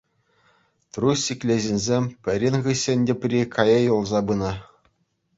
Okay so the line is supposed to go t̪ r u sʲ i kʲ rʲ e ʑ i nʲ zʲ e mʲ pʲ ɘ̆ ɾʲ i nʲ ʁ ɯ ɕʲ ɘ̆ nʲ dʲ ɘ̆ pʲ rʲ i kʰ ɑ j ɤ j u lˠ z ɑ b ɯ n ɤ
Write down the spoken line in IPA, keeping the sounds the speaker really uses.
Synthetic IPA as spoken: t̪ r u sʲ i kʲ lʲ e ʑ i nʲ zʲ e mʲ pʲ ɘ̆ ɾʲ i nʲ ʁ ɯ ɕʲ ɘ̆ nʲ dʲ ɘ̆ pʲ rʲ i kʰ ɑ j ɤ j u lˠ z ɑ b ɯ n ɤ